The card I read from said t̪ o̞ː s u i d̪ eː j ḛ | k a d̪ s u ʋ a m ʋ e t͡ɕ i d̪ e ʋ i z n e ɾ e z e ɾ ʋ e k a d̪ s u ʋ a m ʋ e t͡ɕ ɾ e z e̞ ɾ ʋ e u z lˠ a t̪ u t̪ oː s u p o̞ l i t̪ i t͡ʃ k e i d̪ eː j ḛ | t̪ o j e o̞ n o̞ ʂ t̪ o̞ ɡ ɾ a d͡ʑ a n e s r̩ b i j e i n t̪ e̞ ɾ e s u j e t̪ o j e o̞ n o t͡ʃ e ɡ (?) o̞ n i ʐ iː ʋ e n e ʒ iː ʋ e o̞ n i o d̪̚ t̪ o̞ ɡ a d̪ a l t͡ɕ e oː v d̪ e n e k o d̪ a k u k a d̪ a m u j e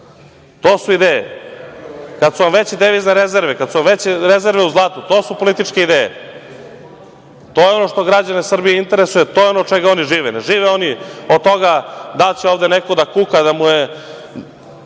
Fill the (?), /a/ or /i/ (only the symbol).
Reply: a